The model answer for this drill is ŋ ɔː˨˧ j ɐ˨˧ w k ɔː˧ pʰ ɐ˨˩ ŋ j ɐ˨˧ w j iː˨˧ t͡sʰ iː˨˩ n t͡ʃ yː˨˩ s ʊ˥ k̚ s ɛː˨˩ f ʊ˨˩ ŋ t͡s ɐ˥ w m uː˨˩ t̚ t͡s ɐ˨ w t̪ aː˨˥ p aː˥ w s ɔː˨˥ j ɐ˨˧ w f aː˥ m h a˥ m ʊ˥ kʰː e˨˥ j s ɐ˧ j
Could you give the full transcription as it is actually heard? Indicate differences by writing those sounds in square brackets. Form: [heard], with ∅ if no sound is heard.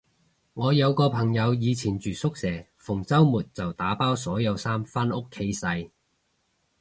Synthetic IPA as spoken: ŋ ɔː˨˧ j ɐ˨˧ w k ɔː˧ pʰ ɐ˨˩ ŋ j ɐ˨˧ w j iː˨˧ t͡sʰ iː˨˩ n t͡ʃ yː˨˩ s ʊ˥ k̚ s ɛː˨˩ f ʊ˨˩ ŋ t͡s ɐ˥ w m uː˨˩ t̚ t͡s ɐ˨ w t̪ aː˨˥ p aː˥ w s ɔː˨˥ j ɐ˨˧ w [s] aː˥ m [f] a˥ [n] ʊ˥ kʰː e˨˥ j s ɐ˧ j

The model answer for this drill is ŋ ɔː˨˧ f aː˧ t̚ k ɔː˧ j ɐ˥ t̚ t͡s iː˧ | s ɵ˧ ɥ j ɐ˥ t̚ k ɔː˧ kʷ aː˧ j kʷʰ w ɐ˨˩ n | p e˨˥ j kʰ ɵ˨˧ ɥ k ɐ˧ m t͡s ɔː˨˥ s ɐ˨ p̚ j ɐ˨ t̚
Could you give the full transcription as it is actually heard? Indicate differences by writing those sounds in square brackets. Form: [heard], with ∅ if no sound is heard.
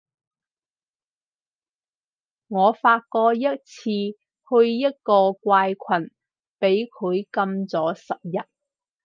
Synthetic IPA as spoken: ŋ ɔː˨˧ f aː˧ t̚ k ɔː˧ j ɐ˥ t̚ [t͡sʰ] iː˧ | [h] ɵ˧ ɥ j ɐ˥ t̚ k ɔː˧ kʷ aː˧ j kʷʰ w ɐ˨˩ n | p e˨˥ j kʰ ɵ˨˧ ɥ k ɐ˧ m t͡s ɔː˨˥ s ɐ˨ p̚ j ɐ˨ t̚

